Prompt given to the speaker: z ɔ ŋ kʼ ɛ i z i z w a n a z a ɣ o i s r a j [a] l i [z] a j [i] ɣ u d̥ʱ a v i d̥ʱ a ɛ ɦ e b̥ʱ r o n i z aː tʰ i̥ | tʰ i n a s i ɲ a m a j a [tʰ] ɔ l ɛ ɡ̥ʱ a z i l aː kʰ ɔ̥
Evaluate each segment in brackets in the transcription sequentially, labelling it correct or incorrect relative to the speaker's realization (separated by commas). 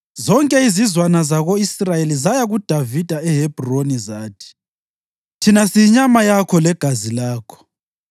incorrect, correct, incorrect, incorrect